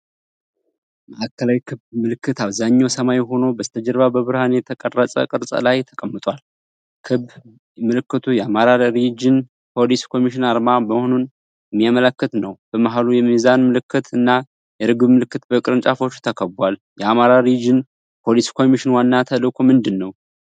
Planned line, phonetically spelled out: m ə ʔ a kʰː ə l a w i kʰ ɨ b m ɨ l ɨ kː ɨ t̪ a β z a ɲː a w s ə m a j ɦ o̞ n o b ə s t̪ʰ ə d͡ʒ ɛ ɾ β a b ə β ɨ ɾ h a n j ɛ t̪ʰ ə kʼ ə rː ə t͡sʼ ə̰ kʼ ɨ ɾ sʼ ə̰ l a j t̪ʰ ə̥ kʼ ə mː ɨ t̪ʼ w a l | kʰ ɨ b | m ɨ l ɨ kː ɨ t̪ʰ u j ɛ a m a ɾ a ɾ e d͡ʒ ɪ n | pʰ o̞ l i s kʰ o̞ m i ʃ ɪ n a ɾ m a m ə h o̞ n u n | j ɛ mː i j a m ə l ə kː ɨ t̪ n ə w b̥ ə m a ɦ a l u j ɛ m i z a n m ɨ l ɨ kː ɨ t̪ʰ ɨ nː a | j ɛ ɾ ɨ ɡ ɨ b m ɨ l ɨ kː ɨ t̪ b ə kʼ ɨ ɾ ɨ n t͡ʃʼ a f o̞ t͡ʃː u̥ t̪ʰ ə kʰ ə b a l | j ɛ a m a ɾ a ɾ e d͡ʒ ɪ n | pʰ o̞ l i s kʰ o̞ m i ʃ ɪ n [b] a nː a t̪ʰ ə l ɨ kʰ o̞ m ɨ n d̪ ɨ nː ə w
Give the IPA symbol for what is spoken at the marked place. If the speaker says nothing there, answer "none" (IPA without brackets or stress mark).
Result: w